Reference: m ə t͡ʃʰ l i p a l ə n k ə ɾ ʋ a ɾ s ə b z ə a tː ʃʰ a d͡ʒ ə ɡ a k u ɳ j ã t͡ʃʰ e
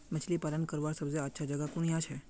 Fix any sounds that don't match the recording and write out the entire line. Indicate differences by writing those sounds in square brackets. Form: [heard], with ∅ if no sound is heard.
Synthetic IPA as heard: m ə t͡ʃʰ l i p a l ə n k ə ɾ ʋ a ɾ s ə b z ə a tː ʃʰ a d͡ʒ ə ɡ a k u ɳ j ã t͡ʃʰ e